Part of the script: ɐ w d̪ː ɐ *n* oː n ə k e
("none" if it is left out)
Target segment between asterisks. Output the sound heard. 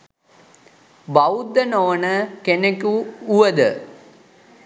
n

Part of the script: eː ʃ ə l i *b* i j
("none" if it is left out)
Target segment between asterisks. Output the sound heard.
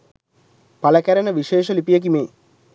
p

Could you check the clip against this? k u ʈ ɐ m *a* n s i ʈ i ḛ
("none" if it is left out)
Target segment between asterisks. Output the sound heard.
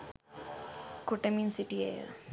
i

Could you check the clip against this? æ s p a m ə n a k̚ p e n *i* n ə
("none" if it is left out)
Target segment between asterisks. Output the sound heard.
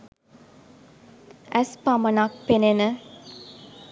e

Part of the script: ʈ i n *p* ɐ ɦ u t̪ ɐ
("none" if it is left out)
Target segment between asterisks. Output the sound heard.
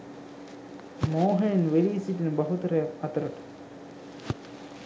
b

